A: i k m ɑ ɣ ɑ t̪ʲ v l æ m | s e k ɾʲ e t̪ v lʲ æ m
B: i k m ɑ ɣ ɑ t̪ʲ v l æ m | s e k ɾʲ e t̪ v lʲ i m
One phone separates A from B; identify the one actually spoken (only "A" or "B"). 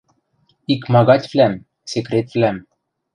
A